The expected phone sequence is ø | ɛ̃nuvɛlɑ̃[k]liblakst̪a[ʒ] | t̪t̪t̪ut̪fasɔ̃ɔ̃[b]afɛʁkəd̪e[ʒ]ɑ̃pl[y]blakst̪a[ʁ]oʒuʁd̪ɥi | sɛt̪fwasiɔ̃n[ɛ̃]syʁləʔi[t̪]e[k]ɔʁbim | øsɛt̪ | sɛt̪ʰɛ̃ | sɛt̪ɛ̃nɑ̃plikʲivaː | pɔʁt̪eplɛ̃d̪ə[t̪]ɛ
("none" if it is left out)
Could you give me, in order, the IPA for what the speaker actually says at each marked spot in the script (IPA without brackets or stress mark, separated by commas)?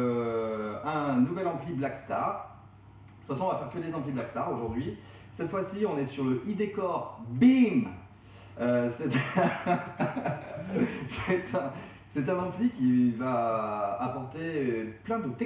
p, ʁ, v, z, i, ʁ, ɛ, d̪, k, t̪